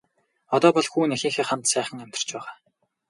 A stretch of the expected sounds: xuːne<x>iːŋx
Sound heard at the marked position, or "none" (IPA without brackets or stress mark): x